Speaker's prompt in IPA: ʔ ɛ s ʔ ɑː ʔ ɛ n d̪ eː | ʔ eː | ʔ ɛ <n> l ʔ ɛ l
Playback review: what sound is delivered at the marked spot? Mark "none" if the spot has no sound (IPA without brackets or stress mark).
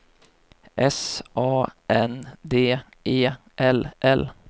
none